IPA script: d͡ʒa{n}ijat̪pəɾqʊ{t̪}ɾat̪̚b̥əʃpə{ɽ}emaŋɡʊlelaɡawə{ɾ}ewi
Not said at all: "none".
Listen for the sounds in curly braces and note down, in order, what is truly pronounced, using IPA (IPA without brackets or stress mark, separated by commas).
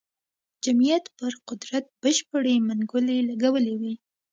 m, d̪, ɽ, l